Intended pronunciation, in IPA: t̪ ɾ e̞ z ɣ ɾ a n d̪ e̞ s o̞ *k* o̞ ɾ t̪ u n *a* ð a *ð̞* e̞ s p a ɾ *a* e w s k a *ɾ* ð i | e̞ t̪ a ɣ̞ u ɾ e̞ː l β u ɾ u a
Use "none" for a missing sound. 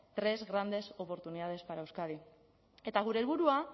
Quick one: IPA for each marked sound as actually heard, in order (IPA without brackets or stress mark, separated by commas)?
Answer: p, i, ð̞, a, none